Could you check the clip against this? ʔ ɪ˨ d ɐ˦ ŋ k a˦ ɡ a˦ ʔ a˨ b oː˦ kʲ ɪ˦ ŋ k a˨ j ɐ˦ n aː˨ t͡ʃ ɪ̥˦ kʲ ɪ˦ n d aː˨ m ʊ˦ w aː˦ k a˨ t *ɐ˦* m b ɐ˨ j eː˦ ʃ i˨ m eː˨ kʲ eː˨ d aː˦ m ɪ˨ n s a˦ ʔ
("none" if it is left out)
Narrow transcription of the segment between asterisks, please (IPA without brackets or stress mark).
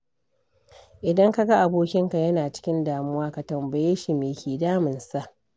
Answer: ɐ˨